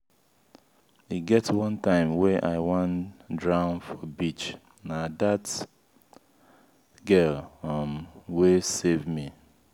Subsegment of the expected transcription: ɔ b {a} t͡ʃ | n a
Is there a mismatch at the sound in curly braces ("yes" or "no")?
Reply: yes